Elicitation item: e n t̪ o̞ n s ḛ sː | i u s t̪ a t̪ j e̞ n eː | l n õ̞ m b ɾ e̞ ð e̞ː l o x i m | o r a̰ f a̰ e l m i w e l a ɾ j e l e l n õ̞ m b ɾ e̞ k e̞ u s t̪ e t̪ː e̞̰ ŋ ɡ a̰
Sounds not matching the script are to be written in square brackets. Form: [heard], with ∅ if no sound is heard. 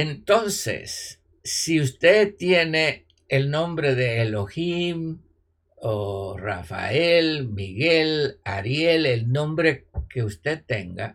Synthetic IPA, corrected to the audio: e n t̪ o̞ n s ḛ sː | i u s t̪ [e] t̪ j e̞ n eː | l n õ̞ m b ɾ e̞ ð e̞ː l o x i m | o r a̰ f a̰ e l m i [ɣ] e l a ɾ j e l e l n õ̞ m b ɾ e̞ k e̞ u s t̪ e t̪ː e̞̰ ŋ ɡ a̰